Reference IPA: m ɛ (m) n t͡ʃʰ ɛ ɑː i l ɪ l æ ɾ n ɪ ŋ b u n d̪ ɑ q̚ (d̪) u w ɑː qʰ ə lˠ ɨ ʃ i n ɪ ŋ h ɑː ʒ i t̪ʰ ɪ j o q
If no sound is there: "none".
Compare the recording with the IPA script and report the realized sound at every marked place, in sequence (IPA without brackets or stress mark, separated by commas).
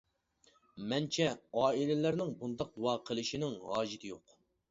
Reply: none, d̪